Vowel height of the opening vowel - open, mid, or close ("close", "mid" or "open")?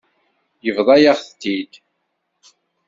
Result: mid